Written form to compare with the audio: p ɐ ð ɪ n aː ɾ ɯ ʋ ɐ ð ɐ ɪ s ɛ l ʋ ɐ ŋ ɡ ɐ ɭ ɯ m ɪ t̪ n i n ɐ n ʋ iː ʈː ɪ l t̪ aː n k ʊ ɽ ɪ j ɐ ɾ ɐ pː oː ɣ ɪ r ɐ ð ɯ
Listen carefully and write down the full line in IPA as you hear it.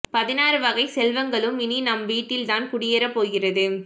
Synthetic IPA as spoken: p ɐ ð ɪ n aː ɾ ɯ ʋ ɐ ɣ ɐ ɪ s ɛ l ʋ ɐ ŋ ɡ ɐ ɭ ɯ m ɪ n i n ɐ m ʋ iː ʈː ɪ l t̪ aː n k ʊ ɽ ɪ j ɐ ɾ ɐ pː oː ɣ ɪ r ɐ ð ɯ